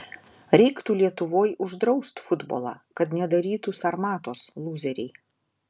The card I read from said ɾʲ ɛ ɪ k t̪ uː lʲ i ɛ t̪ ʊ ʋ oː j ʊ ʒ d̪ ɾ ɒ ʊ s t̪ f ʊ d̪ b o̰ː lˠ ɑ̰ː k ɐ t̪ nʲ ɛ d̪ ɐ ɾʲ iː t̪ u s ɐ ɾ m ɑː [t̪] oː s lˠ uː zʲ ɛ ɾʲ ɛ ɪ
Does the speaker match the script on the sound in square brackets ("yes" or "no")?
yes